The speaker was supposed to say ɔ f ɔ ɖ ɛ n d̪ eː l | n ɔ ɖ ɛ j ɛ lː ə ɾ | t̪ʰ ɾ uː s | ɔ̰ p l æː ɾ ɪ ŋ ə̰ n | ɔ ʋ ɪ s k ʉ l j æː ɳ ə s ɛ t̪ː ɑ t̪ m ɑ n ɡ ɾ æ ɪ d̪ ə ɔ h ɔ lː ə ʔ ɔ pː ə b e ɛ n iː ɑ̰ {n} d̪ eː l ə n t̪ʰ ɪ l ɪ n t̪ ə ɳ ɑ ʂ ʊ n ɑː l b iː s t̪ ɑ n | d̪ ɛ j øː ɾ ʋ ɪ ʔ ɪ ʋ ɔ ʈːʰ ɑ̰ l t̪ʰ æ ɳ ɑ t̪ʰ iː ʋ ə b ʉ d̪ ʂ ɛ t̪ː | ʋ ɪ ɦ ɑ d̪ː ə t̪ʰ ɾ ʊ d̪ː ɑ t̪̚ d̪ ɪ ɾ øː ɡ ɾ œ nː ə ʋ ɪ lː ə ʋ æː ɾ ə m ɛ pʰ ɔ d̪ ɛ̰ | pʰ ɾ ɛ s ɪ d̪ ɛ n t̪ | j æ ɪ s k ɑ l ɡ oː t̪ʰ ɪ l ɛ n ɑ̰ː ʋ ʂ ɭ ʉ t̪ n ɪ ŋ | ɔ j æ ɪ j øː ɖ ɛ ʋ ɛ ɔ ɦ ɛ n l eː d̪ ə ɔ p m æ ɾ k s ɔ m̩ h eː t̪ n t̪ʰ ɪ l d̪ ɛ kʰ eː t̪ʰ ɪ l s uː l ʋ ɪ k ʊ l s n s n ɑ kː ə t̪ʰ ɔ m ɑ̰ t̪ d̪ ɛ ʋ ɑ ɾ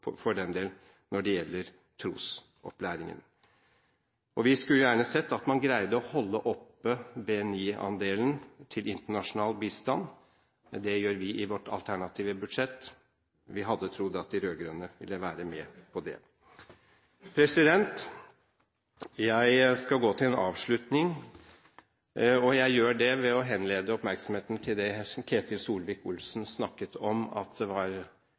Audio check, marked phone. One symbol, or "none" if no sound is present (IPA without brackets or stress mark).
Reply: n